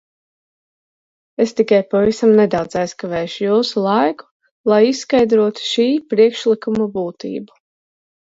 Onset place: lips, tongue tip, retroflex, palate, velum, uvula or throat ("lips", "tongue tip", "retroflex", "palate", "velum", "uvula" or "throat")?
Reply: tongue tip